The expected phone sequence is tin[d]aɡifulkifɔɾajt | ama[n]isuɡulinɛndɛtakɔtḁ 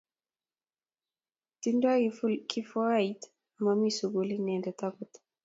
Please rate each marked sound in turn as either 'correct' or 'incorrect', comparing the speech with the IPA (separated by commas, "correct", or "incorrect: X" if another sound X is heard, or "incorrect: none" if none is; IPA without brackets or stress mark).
correct, incorrect: m